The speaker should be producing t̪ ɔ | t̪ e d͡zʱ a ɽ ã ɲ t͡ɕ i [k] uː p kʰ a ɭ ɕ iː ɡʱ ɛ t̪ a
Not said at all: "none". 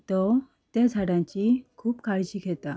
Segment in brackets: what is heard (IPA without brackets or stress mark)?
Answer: kʰ